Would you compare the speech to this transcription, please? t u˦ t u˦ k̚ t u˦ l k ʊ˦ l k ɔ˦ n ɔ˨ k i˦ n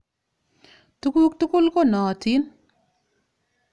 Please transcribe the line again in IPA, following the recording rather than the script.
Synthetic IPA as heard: t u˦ k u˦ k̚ t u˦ k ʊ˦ l k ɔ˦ n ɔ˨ t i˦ n